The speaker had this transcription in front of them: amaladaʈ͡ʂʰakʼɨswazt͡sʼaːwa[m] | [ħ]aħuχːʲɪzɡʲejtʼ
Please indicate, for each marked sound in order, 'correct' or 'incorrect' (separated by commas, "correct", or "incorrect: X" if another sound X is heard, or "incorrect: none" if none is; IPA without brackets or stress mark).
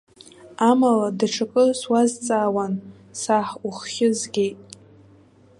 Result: incorrect: n, incorrect: s